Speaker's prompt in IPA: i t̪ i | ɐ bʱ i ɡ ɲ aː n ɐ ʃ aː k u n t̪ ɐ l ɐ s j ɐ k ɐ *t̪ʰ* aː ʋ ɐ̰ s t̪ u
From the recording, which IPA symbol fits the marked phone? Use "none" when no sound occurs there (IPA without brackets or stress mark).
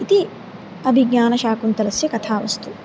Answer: t̪ʰ